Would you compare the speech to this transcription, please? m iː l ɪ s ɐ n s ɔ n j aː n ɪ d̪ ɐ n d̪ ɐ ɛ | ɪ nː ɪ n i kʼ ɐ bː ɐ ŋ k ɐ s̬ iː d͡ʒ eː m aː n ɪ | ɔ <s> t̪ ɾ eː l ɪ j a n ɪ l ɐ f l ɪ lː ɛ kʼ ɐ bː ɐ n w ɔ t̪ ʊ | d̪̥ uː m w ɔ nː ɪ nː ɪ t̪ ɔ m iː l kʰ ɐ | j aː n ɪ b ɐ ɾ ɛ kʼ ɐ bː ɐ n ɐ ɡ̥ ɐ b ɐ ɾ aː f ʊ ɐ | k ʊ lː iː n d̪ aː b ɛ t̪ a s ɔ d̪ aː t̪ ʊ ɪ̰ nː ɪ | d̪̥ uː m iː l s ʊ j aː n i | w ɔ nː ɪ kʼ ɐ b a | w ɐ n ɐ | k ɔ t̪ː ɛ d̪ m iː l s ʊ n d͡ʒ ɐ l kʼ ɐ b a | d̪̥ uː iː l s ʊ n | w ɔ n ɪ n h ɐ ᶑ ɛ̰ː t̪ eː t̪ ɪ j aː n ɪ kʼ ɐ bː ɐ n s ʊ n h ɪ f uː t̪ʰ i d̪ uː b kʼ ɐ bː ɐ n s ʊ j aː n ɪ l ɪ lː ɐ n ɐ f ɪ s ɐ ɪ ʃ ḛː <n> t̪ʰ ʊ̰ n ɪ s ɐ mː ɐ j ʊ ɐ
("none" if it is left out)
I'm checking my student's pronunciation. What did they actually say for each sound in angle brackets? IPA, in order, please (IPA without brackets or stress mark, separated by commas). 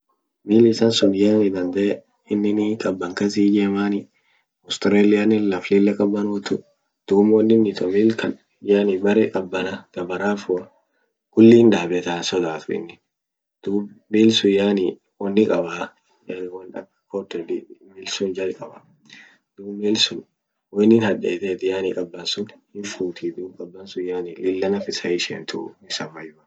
s, n